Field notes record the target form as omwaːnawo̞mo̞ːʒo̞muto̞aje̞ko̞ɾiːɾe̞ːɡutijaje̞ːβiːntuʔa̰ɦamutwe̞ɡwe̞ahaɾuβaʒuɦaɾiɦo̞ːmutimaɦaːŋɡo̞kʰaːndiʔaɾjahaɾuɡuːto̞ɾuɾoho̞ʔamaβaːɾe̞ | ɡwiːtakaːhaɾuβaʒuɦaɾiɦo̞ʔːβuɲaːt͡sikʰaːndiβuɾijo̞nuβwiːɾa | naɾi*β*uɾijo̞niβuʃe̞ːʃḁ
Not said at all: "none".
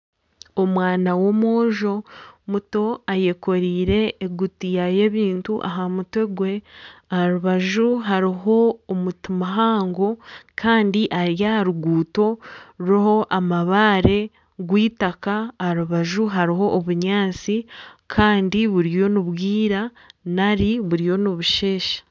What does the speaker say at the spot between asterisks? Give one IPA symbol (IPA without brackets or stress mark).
β